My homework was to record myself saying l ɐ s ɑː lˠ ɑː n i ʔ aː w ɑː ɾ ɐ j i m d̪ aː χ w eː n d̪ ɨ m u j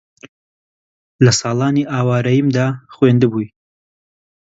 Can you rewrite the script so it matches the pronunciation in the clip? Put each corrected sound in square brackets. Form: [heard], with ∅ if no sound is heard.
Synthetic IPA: l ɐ s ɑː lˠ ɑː n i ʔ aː w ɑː ɾ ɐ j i m d̪ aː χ w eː n d̪ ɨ [b] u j